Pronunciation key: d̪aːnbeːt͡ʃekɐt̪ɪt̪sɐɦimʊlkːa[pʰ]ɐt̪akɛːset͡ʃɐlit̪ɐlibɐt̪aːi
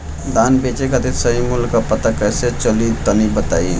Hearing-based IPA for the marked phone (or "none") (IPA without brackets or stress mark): p